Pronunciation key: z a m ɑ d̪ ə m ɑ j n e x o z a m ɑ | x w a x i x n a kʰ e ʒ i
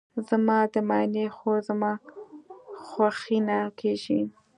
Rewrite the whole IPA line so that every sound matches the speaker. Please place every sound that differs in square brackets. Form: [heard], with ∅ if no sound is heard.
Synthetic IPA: z a m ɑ d̪ ə m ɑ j n e x o z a m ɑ | x w a x i [∅] n a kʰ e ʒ i